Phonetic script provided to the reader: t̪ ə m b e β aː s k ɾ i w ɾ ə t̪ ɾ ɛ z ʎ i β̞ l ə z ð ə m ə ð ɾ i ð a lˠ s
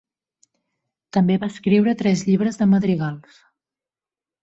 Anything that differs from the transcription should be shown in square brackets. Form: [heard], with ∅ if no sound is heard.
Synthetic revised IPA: t̪ ə m b e β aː s k ɾ i w ɾ ə t̪ ɾ ɛ z ʎ i β̞ [ɾ] ə z ð ə m ə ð ɾ i [ɣ] a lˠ s